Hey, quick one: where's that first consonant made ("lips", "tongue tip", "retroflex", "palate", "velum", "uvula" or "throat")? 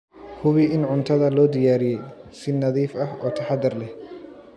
throat